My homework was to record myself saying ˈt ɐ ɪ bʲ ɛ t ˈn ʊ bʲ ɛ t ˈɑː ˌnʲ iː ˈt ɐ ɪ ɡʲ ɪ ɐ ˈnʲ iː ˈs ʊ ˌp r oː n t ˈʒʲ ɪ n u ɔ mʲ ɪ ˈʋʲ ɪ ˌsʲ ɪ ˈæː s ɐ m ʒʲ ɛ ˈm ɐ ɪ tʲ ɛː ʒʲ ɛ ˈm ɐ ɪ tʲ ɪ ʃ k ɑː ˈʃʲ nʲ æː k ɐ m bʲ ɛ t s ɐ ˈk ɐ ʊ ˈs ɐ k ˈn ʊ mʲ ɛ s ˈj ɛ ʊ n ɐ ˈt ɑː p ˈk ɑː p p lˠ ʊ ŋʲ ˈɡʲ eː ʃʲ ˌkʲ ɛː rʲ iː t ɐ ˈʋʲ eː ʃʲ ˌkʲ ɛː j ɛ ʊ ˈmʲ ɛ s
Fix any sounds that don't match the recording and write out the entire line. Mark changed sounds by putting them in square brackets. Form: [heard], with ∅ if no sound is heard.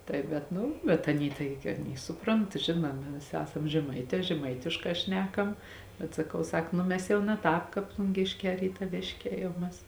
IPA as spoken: ˈt ɐ ɪ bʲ ɛ t ˈn ʊ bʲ ɛ t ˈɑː ˌnʲ iː ˈt ɐ ɪ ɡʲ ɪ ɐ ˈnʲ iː ˈs ʊ ˌp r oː n t ˈʒʲ ɪ n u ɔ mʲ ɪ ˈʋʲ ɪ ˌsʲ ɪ ˈæː s ɐ m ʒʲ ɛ ˈm ɐ ɪ tʲ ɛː ʒʲ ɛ ˈm ɐ ɪ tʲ ɪ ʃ k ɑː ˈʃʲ nʲ æː k ɐ m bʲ ɛ t s ɐ ˈk ɐ ʊ ˈs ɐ k ˈn ʊ mʲ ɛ s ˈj ɛ ʊ n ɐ ˈt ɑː p ˈk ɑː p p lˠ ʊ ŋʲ ˈɡʲ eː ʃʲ ˌkʲ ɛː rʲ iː t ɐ ˈʋʲ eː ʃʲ ˌkʲ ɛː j ɛ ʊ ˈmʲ ɛ s